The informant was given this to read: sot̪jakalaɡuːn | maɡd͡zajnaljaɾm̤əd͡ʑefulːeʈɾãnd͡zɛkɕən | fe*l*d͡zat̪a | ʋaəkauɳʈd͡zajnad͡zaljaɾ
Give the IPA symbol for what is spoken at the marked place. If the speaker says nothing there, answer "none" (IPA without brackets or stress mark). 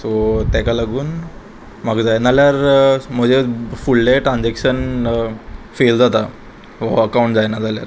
l